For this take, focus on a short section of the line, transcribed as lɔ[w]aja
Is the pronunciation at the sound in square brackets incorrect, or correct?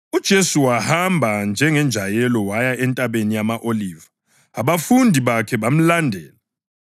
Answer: correct